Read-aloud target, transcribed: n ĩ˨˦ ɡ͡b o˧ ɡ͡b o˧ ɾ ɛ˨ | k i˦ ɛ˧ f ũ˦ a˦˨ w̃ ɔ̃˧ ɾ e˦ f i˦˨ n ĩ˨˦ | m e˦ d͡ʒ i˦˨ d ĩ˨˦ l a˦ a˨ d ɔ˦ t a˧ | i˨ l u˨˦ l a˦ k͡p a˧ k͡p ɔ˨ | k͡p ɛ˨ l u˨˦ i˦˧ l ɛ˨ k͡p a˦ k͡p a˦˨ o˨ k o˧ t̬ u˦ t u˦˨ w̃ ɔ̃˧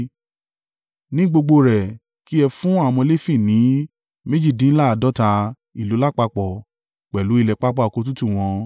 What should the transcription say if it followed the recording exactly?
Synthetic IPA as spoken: n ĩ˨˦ ɡ͡b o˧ ɡ͡b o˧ ɾ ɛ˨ | k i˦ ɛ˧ f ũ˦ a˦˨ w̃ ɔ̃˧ l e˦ f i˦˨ n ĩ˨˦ | m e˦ d͡ʒ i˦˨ d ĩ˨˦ l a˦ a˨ d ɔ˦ t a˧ | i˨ l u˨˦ l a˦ k͡p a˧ k͡p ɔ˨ | k͡p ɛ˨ l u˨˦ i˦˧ l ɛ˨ k͡p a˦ k͡p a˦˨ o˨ k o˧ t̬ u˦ t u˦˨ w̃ ɔ̃˧

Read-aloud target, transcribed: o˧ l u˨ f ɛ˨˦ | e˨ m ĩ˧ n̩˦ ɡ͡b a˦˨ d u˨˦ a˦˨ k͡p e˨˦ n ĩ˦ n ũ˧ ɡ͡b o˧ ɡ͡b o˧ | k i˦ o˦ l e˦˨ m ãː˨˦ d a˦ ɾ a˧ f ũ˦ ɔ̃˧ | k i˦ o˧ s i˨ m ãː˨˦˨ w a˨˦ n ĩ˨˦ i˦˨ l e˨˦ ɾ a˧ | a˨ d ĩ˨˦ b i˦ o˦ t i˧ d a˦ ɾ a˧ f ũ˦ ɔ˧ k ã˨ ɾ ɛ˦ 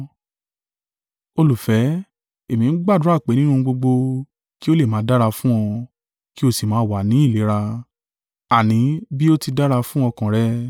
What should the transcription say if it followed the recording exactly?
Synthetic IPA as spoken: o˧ l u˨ f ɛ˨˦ | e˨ m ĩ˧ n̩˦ ɡ͡b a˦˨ d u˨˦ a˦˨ k͡p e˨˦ n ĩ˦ n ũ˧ ɡ͡b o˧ ɡ͡b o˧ | k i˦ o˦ l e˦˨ m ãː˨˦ d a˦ ɾ a˧ f ũ˦ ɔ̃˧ | k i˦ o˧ s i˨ m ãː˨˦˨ w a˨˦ n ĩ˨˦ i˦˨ l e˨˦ ɾ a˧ | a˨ n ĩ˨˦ b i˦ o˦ t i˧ d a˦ ɾ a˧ f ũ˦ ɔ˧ k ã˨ ɾ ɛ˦

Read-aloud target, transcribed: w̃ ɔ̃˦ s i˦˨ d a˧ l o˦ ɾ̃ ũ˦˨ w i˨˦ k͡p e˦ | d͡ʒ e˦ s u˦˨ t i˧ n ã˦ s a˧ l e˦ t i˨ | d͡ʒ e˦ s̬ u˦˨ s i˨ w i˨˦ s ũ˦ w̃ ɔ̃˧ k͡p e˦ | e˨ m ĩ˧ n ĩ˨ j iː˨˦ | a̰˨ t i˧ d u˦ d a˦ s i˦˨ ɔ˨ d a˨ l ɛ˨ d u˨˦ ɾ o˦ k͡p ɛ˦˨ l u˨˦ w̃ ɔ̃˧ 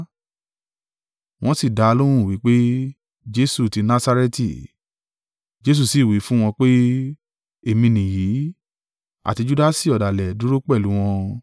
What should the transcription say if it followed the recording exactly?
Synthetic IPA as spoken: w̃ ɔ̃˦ s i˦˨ d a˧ l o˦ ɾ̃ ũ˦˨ w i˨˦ k͡p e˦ | d͡ʒ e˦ s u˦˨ t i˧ n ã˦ s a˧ ɾ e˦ t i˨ | d͡ʒ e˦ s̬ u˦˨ s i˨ w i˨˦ f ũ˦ w̃ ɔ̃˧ k͡p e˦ | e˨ m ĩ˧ n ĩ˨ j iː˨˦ | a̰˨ t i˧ d͡ʒ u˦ d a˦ s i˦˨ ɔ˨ d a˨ l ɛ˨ d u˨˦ ɾ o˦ k͡p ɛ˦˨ l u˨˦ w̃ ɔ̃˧

